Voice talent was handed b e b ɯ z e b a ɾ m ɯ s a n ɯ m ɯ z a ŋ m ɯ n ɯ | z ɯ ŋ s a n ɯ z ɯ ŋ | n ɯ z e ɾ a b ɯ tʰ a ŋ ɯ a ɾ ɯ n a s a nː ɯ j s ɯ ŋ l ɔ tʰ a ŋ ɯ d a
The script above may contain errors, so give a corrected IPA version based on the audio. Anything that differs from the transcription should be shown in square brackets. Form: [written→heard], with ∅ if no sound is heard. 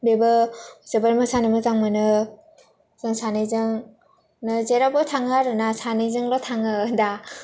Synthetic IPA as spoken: b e b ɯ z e b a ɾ m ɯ s a n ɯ m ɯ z a ŋ m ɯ n ɯ | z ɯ ŋ s a n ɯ z ɯ ŋ | n ɯ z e ɾ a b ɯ tʰ a ŋ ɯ a ɾ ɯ n a s a [nː→n] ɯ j [s→z] ɯ ŋ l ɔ tʰ a ŋ ɯ d a